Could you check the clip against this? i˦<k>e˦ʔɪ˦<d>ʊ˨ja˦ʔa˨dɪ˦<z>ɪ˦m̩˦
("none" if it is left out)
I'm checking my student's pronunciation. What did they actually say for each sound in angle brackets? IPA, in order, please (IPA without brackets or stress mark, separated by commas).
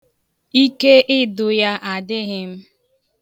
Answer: k, d, ɣ